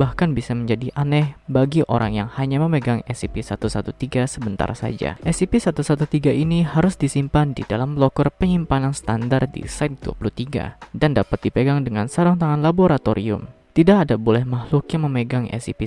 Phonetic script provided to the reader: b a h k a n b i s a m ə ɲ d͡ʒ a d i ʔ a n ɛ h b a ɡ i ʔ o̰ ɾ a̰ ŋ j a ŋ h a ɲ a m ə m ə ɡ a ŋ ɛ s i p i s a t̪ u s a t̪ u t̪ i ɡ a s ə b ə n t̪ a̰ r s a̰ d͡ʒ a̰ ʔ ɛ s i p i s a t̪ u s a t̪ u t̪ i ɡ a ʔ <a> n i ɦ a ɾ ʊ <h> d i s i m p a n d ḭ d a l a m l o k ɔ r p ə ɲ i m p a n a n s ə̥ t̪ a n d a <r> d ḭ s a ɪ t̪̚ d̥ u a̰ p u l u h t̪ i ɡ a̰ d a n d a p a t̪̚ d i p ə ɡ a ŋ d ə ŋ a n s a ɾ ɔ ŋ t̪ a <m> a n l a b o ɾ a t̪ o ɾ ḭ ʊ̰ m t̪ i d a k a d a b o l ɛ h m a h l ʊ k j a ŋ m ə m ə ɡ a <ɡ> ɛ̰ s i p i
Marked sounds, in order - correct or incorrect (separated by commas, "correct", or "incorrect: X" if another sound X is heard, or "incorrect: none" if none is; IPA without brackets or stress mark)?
incorrect: i, incorrect: s, correct, incorrect: ŋ, incorrect: ŋ